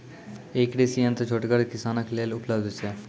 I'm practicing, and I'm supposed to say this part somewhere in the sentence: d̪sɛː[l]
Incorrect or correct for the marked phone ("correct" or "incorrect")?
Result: incorrect